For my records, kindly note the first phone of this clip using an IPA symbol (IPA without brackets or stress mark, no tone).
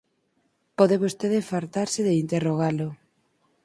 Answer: p